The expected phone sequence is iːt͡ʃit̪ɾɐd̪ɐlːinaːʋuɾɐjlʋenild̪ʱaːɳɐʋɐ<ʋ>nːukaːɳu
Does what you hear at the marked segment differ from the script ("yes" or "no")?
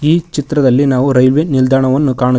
yes